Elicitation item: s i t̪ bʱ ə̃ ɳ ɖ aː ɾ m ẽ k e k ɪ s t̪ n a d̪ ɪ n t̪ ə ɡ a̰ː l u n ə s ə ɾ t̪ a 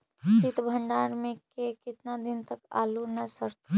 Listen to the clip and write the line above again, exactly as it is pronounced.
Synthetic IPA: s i t̪ bʱ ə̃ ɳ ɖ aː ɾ m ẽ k e k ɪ t̪ n a d̪ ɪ n t̪ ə k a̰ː l u n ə s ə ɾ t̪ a